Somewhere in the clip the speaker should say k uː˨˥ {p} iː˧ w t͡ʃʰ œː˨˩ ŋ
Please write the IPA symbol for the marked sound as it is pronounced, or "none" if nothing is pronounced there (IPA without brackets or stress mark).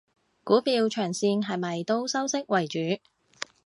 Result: p